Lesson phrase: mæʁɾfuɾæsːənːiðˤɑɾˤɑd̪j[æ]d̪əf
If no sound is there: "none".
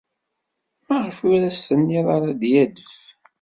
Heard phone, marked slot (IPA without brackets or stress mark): æ